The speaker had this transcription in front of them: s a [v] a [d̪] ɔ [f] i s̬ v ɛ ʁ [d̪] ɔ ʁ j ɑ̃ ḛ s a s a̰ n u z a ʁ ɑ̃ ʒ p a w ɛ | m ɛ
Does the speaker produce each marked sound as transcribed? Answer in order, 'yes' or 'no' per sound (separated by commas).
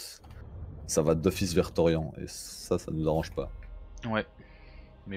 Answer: yes, yes, yes, no